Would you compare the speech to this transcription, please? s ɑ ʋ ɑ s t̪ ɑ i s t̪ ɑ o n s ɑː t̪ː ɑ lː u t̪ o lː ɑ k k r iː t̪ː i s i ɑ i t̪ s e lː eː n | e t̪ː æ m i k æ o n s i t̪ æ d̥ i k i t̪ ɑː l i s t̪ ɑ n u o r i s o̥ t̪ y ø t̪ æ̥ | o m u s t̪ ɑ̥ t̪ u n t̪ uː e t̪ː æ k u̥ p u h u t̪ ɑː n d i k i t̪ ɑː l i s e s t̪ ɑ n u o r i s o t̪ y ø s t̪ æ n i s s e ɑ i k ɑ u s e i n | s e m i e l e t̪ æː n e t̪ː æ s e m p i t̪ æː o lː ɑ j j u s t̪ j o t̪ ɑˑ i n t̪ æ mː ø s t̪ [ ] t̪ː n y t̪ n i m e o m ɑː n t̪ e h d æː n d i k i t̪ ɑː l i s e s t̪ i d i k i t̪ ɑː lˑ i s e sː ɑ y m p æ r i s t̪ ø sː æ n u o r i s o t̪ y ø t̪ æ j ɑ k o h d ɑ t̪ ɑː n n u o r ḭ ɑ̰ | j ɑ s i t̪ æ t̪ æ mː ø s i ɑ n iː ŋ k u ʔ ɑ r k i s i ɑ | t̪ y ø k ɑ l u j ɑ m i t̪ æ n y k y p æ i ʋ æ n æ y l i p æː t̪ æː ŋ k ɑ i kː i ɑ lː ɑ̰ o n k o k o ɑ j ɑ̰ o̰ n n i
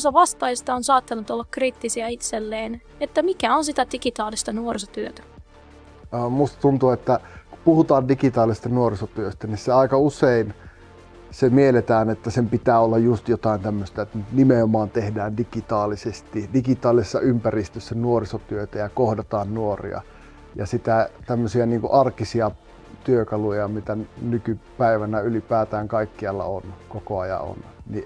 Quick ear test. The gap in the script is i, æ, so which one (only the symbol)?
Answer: æ